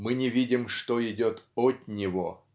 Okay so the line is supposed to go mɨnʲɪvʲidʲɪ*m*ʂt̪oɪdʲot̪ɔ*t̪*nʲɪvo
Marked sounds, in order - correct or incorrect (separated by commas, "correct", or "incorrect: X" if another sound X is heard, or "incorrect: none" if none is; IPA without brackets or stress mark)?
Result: correct, correct